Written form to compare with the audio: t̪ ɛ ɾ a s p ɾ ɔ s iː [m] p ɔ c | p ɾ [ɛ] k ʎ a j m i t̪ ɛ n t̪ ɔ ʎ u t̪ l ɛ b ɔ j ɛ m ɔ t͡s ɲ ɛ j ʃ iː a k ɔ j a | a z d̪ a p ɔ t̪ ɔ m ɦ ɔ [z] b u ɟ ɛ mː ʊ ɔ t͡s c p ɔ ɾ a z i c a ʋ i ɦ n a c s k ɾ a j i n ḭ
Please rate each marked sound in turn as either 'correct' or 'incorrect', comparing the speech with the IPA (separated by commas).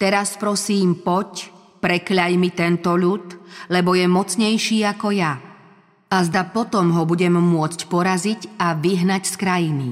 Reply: correct, correct, incorrect